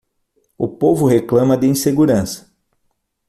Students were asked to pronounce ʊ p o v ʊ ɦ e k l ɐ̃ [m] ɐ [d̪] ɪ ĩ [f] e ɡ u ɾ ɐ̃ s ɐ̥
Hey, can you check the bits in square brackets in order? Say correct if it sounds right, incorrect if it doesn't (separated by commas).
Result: correct, correct, incorrect